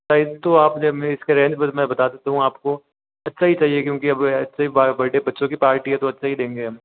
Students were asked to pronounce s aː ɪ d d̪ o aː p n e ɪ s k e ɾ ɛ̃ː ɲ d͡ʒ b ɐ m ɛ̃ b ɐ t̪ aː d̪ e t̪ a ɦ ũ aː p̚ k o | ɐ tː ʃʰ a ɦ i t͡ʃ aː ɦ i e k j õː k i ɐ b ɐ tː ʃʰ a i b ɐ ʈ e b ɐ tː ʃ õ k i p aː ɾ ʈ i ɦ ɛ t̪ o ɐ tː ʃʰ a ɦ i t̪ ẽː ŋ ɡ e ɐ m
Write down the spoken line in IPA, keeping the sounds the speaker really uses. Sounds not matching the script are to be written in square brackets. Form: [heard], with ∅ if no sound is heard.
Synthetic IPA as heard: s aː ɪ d [t̪] o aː p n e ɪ s k e ɾ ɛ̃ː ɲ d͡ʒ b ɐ m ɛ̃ b ɐ t̪ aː d̪ e t̪ a ɦ ũ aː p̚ k o | ɐ tː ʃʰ a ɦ i t͡ʃ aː ɦ i e k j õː k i ɐ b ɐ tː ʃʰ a i b ɐ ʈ e b ɐ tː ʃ õ k i p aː ɾ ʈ i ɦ ɛ t̪ o ɐ tː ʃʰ a ɦ i [d̪] ẽː ŋ ɡ e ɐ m

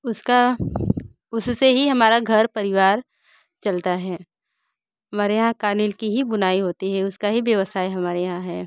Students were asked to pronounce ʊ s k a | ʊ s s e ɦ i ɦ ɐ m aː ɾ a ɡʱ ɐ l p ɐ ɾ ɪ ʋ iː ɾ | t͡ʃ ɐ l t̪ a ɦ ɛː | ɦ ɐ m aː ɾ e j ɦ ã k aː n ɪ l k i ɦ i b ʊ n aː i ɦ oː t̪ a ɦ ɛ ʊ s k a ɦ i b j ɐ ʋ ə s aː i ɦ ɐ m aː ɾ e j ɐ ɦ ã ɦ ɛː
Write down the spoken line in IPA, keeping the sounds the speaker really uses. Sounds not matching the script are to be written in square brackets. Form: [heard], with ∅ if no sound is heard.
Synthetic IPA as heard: ʊ s k a | ʊ s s e ɦ i ɦ ɐ m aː ɾ a ɡʱ ɐ [ɾ] p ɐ ɾ ɪ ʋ [aː] ɾ | t͡ʃ ɐ l t̪ a ɦ ɛː | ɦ ɐ m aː ɾ e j ɦ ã k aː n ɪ l k i ɦ i b ʊ n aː i ɦ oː t̪ [i] ɦ ɛ ʊ s k a ɦ i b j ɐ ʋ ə s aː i ɦ ɐ m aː ɾ e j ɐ ɦ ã ɦ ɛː

